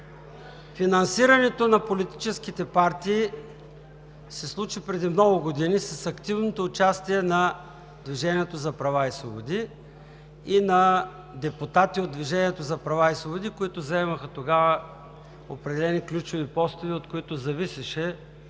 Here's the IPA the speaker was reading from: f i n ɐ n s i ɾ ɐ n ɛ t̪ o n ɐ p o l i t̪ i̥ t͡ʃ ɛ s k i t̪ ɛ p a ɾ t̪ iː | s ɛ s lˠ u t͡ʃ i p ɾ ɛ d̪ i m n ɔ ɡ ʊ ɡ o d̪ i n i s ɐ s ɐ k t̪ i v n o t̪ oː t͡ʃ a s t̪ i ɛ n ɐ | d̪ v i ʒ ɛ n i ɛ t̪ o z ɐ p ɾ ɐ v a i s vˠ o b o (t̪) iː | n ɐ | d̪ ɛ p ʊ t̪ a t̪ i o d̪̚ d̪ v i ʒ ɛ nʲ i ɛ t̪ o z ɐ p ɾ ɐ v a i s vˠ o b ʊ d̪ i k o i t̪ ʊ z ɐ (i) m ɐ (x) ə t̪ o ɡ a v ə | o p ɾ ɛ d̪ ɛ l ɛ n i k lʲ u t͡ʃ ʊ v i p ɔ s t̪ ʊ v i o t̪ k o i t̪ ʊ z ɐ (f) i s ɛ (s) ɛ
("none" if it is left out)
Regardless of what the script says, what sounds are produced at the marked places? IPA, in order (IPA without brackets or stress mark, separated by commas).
d̪, ɛ, x, v, ʃ